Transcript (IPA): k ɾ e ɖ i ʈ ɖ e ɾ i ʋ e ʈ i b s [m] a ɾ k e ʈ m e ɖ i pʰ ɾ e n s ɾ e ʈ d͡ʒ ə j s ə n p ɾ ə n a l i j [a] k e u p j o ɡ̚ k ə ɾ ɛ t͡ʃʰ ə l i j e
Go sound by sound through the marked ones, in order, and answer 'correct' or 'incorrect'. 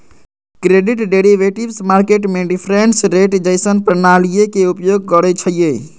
correct, incorrect

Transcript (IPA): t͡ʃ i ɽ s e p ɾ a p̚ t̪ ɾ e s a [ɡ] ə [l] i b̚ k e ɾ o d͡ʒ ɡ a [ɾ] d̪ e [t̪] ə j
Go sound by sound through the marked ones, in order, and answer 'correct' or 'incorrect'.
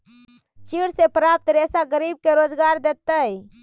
correct, incorrect, correct, correct

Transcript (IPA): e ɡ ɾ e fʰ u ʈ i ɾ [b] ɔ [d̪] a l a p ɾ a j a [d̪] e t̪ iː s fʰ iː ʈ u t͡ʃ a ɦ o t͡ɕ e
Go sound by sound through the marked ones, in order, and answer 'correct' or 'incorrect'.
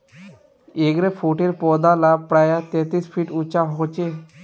incorrect, correct, incorrect

